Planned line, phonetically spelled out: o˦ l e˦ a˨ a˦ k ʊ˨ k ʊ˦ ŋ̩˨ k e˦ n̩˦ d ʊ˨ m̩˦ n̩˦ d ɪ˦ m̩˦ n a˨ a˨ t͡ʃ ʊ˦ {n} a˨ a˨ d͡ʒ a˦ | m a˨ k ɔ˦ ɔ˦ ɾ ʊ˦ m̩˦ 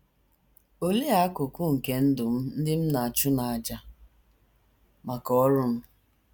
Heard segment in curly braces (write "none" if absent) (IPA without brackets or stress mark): n